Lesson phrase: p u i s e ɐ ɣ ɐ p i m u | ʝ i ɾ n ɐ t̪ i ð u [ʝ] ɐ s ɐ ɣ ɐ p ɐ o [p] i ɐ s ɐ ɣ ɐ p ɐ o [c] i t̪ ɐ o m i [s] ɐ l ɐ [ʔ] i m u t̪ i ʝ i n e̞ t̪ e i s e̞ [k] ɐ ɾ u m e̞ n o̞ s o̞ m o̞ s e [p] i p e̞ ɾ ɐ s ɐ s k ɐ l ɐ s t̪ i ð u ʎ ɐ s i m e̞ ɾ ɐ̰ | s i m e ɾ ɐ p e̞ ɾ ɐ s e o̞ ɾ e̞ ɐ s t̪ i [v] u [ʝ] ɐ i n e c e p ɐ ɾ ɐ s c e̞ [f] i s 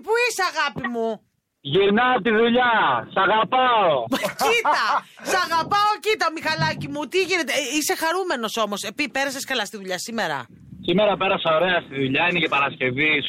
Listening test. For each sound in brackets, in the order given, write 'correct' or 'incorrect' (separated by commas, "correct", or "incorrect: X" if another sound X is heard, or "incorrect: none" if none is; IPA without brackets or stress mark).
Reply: incorrect: ʎ, incorrect: c, correct, incorrect: x, incorrect: c, incorrect: x, correct, incorrect: ð, incorrect: ʎ, incorrect: v